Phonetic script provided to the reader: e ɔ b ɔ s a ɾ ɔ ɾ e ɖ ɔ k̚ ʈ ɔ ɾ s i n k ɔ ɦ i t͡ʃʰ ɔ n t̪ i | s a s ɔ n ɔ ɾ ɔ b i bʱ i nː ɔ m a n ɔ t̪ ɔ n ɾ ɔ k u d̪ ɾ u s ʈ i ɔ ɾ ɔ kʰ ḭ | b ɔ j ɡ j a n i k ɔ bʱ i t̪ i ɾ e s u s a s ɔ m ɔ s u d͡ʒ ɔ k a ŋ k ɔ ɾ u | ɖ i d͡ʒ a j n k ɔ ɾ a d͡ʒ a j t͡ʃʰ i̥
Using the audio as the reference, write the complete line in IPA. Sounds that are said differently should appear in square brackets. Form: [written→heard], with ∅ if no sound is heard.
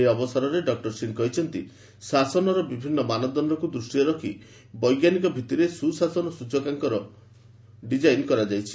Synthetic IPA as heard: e ɔ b ɔ s a ɾ ɔ ɾ e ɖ ɔ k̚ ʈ ɔ ɾ s i n k ɔ ɦ i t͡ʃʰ ɔ n t̪ i | s a s ɔ n ɔ ɾ ɔ b i bʱ i nː ɔ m a n ɔ [t̪→d̪] ɔ n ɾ ɔ k u d̪ ɾ u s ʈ i ɔ ɾ ɔ kʰ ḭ | b ɔ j ɡ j a n i k ɔ bʱ i t̪ i ɾ e s u s a s ɔ [m→n] ɔ s u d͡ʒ ɔ k a ŋ k ɔ ɾ [u→ɔ] | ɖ i d͡ʒ a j n k ɔ ɾ a d͡ʒ a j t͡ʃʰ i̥